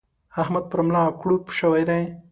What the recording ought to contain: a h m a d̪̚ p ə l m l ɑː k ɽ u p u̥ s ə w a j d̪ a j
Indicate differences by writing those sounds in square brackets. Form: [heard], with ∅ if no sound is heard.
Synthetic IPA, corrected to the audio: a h m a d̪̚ p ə [ɾ] m l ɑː k ɽ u p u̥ [ʃ] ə w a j d̪ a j